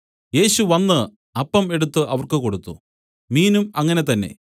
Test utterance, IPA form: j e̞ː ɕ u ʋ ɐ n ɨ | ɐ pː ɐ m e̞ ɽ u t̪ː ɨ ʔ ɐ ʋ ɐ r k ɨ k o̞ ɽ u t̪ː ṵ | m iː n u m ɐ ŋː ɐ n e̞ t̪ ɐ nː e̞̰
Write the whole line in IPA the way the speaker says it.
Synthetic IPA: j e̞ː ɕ u ʋ ɐ nː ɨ | ɐ pː ɐ m e̞ ɽ u t̪ː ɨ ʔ ɐ ʋ ɐ r k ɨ k o̞ ɽ u t̪ː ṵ | m iː n u m ɐ ŋː ɐ n e̞ t̪ ɐ nː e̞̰